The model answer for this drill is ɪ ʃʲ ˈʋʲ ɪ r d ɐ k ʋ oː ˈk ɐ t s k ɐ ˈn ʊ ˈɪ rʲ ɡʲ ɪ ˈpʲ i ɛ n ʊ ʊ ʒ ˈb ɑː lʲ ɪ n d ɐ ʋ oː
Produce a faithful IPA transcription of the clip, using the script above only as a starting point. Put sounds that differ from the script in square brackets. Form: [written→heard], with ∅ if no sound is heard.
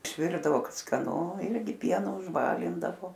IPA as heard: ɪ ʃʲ ˈʋʲ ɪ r d ɐ [k→∅] ʋ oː ˈk ɐ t s k ɐ ˈn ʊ ˈɪ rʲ ɡʲ ɪ ˈpʲ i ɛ n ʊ ʊ ʒ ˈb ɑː lʲ ɪ n d ɐ ʋ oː